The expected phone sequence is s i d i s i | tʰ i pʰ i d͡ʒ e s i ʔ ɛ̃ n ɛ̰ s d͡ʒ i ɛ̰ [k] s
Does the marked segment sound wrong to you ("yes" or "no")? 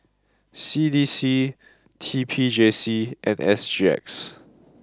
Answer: no